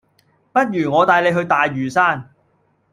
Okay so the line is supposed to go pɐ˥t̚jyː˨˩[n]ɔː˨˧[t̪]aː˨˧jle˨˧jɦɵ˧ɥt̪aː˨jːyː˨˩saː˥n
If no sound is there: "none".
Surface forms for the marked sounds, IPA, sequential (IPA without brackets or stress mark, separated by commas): ŋ, t̪